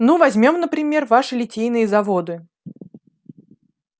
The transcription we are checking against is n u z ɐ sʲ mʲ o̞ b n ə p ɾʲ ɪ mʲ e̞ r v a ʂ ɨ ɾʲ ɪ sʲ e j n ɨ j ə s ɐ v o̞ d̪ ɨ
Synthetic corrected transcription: n u v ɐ zʲ mʲ o̞ m n ə p ɾʲ ɪ mʲ e̞ r v a ʂ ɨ lʲ ɪ tʲ e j n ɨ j ə z ɐ v o̞ d̪ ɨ